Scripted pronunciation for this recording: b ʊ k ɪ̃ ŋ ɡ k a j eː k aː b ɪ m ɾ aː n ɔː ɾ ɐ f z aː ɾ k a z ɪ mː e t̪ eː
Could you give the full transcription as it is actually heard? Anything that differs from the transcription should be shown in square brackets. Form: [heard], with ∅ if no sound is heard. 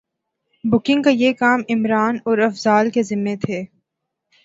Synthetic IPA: b ʊ k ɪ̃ ŋ ɡ k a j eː k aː [m] ɪ m ɾ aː n ɔː ɾ ɐ f z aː [l] k [e] z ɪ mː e [t̪ʰ] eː